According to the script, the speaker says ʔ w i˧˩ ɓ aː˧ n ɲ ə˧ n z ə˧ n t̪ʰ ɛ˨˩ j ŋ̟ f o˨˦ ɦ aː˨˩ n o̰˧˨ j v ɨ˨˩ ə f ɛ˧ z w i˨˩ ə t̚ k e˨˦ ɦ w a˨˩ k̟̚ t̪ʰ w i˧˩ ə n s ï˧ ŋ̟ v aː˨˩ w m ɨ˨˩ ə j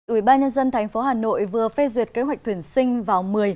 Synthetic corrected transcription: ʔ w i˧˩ ɓ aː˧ n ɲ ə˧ n z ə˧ n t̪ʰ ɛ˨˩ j ŋ̟ f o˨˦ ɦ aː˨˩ n o̰˧˨ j v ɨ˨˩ ə f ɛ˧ z w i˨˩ ə t̚ k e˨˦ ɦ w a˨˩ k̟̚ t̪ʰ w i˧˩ ə n s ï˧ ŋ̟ v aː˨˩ w m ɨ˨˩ ə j

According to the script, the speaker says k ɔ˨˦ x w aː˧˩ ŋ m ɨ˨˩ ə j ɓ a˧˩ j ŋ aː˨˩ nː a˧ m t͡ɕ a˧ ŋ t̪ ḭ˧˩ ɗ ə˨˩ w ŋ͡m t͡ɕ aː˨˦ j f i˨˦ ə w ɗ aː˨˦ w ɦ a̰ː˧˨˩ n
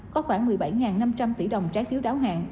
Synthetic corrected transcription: k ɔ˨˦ x w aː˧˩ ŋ m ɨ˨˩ ə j ɓ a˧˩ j ŋ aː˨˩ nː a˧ m t͡ɕ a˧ m t̪ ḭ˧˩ ɗ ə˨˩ w ŋ͡m t͡ɕ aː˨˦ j f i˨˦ ə w ɗ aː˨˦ w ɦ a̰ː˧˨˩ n

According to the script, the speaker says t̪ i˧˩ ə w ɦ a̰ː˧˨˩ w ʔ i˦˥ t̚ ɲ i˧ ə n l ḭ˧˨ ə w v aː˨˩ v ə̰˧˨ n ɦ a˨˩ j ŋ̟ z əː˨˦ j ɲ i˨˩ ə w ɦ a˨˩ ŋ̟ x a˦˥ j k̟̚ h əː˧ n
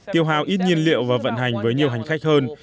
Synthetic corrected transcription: t̪ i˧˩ ə w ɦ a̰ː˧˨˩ w ʔ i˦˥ t̚ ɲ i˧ ə n l ḭ˧˨ ə w v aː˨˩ v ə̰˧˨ n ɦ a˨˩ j ŋ̟ v əː˨˦ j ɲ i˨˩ ə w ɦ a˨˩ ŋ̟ x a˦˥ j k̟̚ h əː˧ n

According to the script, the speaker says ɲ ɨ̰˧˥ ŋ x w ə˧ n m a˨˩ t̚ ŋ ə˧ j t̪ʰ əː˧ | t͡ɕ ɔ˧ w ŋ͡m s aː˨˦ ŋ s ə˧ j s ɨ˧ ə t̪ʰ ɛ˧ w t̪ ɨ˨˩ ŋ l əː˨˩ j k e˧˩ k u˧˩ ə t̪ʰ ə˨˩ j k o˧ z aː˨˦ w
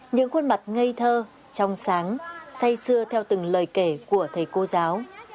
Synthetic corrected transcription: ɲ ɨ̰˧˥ ŋ x w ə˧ n m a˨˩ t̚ ŋ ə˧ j t̪ʰ əː˧ | t͡ɕ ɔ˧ w ŋ͡m s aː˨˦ ŋ s a˧ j s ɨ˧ ə t̪ʰ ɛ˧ w t̪ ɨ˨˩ ŋ l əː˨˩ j k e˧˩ k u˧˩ ə t̪ʰ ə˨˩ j k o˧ z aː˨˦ w

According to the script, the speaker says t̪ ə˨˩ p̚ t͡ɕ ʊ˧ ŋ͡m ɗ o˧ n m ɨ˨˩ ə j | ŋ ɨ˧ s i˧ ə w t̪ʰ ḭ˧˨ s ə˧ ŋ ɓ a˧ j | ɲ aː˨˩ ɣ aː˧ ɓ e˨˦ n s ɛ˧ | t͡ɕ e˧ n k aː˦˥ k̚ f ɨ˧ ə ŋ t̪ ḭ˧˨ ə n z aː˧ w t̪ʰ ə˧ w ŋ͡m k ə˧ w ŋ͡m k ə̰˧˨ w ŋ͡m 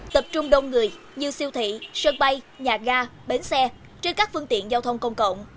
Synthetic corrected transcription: t̪ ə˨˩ p̚ t͡ɕ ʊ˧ ŋ͡m ɗ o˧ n ŋ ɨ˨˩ ə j | ɲ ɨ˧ s i˧ ə w t̪ʰ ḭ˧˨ s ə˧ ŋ ɓ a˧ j | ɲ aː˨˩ ɣ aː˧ ɓ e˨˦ n s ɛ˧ | t͡ɕ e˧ n k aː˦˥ k̚ f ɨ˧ ə ŋ t̪ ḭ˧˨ ə n z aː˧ w t̪ʰ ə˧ w ŋ͡m k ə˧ w ŋ͡m k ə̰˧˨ w ŋ͡m

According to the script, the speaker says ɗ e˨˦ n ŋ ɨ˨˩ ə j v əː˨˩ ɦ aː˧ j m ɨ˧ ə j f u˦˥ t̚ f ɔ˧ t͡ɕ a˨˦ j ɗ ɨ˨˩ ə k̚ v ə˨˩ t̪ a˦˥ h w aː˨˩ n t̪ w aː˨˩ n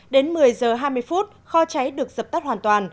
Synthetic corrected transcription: ɗ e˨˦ n m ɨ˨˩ ə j z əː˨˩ ɦ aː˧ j m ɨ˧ ə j f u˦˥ t̚ x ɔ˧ t͡ɕ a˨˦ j ɗ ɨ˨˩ ə k̚ z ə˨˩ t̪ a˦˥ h w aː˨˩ n t̪ w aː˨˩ n

